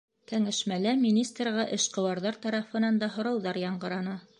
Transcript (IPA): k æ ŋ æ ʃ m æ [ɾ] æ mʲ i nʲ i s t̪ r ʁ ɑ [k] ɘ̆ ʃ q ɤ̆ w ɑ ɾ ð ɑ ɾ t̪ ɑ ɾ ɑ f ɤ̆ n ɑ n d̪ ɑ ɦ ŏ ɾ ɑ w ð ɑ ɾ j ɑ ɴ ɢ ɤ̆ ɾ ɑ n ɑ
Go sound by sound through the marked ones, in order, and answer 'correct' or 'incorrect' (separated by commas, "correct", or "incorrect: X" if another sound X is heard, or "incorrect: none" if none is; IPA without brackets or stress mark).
incorrect: l, incorrect: ʔ